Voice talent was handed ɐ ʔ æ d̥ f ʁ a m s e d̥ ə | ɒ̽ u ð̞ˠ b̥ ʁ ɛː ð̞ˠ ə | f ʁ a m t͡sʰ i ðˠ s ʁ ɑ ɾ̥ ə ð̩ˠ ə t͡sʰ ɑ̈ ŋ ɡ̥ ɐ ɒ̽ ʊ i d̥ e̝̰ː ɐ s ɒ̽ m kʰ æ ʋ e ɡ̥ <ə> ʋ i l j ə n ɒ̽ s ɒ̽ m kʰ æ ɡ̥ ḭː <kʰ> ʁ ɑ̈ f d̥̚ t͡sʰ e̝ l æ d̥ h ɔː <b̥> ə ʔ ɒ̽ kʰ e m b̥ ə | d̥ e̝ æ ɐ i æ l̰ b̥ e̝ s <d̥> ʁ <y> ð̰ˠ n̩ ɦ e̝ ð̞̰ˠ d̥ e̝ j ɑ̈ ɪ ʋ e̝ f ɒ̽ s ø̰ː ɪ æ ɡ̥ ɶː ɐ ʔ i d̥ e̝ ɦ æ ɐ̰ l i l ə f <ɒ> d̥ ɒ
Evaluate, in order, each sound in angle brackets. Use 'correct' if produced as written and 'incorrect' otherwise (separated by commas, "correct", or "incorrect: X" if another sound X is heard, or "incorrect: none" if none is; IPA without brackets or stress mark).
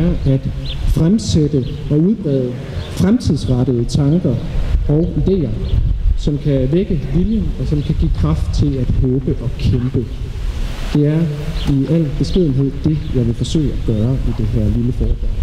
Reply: correct, correct, correct, incorrect: ɡ̥, incorrect: i, incorrect: ɒː